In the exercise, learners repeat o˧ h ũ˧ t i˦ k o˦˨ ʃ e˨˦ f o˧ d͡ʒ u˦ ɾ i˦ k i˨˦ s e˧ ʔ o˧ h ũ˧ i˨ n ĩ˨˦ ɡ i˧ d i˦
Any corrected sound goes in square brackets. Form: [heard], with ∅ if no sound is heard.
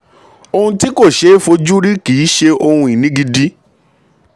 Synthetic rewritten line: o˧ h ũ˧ t i˦ k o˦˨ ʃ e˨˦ f o˧ d͡ʒ u˦ ɾ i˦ k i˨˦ [ʃ] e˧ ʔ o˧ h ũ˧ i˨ n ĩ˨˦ ɡ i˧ d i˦